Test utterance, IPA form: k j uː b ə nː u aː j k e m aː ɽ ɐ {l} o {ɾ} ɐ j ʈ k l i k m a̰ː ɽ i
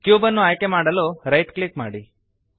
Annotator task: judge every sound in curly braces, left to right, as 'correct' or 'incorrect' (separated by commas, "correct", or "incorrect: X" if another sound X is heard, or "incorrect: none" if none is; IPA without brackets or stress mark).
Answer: correct, correct